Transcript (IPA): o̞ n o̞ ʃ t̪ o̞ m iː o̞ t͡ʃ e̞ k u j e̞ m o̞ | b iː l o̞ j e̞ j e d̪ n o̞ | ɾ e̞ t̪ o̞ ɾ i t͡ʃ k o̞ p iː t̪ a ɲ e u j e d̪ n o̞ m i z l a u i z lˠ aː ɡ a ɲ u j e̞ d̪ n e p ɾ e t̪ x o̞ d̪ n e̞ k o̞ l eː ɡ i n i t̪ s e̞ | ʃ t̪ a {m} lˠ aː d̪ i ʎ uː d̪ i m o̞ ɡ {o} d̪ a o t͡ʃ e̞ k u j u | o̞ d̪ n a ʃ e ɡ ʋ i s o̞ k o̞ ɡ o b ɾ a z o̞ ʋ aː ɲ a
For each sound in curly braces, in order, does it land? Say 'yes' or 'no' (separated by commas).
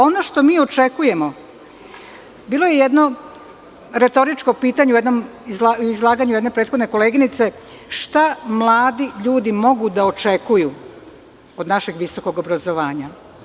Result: yes, no